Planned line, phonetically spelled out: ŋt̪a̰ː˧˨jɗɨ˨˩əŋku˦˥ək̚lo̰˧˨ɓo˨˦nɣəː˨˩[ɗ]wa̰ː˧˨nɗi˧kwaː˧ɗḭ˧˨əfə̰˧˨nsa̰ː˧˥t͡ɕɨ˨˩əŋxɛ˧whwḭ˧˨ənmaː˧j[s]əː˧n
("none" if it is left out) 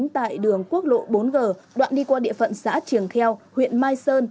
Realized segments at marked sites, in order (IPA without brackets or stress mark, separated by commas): ɗ, s